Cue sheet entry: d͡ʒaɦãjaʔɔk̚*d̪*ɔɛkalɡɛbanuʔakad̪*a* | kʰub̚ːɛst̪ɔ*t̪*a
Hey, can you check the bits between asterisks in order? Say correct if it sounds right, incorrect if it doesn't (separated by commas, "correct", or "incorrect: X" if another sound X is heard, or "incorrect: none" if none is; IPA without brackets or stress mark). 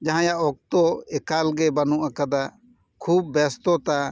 incorrect: t̪, correct, correct